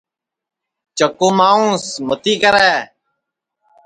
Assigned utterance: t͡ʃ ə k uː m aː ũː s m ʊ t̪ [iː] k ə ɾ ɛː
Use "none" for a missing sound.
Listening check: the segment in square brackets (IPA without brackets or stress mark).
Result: iː